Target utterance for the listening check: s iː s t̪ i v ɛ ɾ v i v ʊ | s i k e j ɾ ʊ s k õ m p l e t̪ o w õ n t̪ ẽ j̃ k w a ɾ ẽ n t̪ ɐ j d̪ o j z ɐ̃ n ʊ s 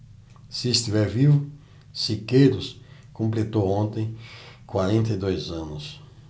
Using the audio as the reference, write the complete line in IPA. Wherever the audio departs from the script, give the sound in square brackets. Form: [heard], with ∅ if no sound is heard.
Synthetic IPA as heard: s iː s t̪ i v ɛ ɾ v i v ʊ | s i k e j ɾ ʊ s k õ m p l e t̪ o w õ n t̪ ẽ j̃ k w a ɾ ẽ n t̪ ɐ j d̪ o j z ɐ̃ n ʊ s